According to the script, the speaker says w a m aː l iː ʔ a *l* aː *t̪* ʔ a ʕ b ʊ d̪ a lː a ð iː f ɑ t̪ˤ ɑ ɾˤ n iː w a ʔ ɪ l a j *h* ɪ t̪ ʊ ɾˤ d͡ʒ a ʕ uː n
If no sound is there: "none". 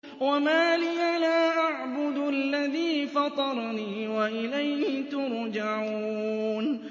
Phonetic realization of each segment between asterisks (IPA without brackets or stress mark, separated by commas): l, none, h